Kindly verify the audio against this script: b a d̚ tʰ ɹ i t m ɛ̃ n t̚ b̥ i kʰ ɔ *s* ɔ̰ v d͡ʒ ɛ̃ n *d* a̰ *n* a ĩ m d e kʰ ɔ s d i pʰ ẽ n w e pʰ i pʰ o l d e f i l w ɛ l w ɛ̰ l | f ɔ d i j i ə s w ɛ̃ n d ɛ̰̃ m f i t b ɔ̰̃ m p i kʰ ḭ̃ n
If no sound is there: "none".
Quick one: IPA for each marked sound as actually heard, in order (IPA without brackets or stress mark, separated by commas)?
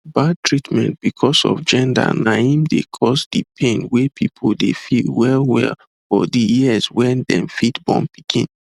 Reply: s, d, n